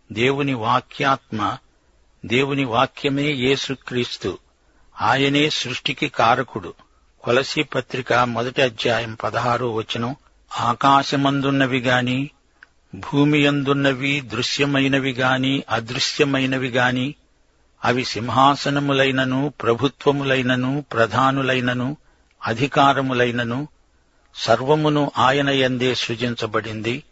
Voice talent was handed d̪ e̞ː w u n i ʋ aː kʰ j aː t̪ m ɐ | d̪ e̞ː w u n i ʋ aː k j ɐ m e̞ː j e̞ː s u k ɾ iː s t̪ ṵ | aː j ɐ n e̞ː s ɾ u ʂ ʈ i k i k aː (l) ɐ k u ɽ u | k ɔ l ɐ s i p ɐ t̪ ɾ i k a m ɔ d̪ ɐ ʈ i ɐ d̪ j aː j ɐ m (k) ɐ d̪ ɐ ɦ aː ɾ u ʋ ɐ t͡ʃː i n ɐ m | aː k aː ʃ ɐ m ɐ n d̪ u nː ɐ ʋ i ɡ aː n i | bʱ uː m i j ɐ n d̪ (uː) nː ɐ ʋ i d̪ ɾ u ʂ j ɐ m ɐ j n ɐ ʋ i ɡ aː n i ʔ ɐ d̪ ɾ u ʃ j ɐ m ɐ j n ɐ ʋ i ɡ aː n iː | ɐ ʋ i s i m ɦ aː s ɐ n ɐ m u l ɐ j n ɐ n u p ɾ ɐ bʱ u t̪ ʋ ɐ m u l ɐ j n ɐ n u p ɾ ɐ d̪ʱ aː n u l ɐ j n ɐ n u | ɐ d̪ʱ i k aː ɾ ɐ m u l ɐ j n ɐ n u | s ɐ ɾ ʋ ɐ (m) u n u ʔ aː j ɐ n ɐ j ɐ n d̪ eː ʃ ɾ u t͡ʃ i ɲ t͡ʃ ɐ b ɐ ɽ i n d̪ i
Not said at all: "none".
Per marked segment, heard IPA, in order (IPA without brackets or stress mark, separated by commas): ɾ, p, u, m